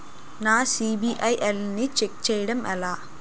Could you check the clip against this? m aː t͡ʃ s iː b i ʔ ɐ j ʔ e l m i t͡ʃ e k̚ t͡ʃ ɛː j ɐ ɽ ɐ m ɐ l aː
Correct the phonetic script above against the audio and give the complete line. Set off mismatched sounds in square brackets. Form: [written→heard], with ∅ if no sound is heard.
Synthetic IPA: [m→n] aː [t͡ʃ→∅] s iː b i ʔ ɐ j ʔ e l [m→n] i t͡ʃ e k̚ t͡ʃ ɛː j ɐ ɽ ɐ m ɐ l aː